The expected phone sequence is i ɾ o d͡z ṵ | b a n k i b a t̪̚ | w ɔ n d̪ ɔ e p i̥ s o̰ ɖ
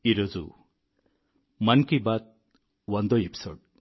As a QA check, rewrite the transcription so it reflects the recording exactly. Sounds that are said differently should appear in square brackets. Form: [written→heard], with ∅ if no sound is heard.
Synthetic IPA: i ɾ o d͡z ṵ | [b→m] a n k i b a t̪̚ | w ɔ n d̪ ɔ e p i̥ s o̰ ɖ